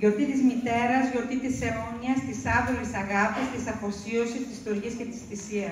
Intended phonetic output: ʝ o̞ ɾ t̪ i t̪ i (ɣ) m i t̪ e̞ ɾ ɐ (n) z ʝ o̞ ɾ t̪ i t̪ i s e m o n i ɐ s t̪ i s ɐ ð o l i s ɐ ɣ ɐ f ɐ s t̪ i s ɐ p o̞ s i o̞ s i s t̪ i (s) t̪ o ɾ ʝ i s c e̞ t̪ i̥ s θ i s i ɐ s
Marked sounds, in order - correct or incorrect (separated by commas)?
incorrect, incorrect, correct